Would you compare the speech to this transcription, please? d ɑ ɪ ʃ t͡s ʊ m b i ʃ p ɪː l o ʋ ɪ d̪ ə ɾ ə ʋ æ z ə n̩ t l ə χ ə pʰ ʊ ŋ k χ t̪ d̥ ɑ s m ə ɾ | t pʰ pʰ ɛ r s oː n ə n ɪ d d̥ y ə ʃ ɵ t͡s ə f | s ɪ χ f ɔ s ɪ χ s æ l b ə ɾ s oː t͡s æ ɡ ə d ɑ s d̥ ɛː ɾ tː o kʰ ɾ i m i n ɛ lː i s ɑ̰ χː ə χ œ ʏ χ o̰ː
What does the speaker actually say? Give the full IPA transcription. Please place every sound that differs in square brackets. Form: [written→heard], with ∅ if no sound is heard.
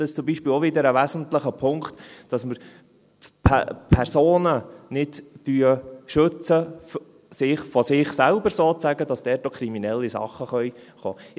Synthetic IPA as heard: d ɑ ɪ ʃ t͡s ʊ m b i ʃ p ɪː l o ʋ ɪ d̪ ə ɾ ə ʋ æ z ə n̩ t l ə χ ə pʰ ʊ ŋ k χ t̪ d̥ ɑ s m ə ɾ | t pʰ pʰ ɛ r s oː n ə n ɪ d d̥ y ə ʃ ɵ t͡s ə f | s ɪ χ f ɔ s ɪ χ s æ l b ə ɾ s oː t͡s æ ɡ ə d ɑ s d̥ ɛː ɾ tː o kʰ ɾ i m i n ɛ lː i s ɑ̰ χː ə χ œ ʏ χ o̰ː